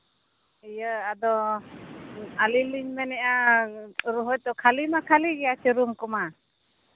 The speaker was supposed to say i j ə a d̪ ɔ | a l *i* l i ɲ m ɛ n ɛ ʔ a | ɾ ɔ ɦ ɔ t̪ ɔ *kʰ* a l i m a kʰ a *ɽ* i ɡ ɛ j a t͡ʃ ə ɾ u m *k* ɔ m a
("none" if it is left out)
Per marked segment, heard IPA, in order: i, kʰ, l, k

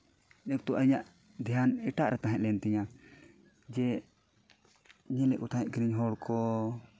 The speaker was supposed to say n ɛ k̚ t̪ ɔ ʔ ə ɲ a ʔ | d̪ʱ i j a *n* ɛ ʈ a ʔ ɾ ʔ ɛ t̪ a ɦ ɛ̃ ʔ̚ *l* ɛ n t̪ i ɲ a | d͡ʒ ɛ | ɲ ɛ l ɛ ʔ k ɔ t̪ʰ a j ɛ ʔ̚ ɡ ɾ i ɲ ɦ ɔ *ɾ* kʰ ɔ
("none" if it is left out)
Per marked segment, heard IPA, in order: n, l, ɽ

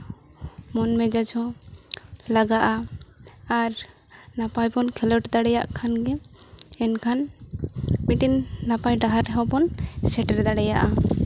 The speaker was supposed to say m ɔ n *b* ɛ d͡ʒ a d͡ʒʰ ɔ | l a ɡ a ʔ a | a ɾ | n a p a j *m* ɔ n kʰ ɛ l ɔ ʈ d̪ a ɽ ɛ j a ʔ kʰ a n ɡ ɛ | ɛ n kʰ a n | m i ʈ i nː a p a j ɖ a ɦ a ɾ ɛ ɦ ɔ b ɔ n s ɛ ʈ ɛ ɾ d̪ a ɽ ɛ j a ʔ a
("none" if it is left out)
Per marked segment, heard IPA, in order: m, b

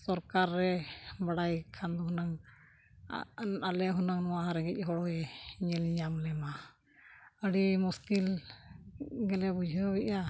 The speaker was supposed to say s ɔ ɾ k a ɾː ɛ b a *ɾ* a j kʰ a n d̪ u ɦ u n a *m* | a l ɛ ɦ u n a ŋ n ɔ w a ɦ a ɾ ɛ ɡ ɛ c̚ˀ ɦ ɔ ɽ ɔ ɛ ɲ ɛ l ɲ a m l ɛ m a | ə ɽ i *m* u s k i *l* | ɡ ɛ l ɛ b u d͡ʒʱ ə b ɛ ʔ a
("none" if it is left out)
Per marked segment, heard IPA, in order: ɽ, ŋ, m, l

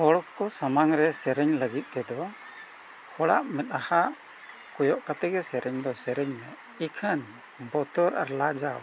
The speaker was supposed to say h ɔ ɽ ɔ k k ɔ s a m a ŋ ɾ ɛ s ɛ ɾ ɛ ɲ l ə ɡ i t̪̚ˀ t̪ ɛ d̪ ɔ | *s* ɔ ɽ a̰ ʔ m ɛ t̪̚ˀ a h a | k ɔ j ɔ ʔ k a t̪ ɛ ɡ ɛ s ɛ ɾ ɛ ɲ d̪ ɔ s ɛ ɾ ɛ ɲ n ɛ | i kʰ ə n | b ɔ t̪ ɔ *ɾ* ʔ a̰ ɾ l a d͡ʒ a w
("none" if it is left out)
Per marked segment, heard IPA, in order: h, ɾ

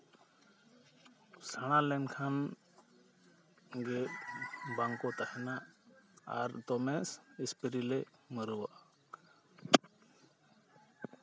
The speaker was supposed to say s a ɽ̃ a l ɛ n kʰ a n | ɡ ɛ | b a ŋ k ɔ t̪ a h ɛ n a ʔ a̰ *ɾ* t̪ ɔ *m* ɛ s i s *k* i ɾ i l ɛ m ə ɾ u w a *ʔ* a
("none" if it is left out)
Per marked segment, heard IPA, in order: ɾ, m, p, ʔ

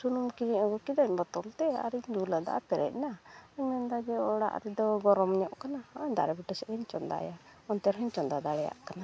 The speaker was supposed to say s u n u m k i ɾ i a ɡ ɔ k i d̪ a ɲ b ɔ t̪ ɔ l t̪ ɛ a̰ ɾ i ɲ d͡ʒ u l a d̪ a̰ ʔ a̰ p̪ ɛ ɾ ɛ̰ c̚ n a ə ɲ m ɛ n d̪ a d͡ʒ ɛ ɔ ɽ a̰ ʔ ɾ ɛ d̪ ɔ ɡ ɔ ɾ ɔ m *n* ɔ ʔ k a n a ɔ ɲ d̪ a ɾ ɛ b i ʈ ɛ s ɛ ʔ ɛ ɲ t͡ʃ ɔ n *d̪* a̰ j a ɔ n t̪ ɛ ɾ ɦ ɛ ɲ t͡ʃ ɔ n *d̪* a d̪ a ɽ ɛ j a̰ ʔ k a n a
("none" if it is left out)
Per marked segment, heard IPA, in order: ɲ, d̪, d̪

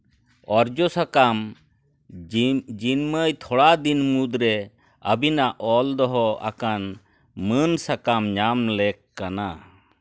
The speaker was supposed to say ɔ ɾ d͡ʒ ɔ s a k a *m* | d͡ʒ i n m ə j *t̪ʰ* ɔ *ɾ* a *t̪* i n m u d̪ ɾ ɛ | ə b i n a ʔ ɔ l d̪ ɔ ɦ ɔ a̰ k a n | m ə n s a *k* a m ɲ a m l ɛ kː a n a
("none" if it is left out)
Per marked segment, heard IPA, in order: m, t̪ʰ, ɽ, d̪, k

